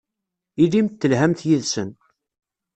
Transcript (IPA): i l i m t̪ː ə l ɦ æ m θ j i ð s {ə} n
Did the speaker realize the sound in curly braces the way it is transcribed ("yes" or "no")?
yes